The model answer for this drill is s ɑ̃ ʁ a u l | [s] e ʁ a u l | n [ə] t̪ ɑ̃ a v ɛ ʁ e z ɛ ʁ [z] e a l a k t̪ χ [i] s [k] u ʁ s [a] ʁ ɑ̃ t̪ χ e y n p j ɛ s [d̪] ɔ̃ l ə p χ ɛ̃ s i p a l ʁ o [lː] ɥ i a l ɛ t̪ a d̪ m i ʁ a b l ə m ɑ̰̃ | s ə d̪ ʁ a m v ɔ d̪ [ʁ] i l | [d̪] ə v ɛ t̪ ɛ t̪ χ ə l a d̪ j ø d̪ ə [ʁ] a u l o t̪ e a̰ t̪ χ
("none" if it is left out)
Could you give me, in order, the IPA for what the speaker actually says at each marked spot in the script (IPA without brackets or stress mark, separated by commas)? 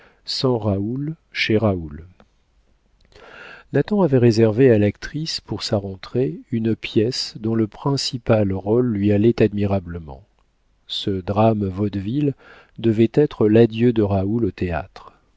ʃ, a, v, i, p, a, d̪, lː, v, d̪, ʁ